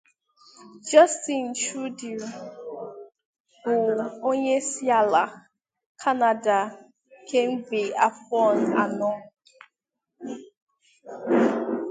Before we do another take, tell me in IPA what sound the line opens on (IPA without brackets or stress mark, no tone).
d͡ʒ